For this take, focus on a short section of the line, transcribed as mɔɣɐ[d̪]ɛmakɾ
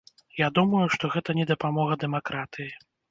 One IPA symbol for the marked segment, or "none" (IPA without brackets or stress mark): d̪